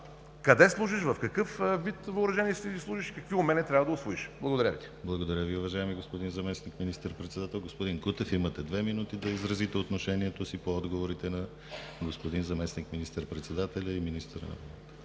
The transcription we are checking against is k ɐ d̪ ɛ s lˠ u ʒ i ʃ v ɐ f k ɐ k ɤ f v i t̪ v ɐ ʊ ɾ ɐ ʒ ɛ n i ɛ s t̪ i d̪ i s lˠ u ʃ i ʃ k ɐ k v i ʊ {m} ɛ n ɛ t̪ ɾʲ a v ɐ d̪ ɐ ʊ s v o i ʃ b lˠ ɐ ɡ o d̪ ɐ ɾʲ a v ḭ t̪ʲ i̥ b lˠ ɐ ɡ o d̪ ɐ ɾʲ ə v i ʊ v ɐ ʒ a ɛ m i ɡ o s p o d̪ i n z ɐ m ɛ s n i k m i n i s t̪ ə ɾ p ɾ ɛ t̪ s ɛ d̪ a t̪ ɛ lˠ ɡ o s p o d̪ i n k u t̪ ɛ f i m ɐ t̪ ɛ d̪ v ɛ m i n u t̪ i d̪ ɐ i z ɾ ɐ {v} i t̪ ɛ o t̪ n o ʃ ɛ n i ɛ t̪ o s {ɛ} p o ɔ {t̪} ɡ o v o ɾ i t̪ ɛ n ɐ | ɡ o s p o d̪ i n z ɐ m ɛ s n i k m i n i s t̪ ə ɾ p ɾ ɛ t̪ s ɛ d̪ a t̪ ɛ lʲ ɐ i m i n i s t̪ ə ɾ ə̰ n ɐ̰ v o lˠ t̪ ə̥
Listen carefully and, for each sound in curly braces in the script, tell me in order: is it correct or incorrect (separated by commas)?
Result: correct, incorrect, incorrect, incorrect